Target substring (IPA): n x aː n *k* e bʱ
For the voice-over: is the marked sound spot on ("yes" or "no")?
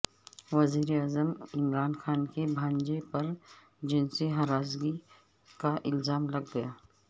yes